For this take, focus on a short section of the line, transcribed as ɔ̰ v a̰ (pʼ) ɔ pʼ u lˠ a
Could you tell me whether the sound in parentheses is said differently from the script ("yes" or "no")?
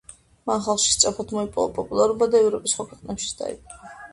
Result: no